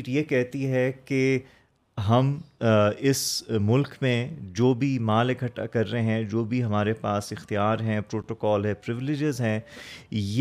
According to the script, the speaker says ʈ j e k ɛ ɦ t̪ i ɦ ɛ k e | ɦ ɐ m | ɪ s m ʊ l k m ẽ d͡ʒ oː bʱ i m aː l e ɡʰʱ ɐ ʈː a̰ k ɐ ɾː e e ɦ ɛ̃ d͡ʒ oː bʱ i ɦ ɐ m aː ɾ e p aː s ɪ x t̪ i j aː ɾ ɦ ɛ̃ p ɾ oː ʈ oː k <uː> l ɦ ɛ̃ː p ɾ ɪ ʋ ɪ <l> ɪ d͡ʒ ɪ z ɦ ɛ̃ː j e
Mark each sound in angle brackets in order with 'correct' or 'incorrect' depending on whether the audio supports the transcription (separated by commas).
incorrect, correct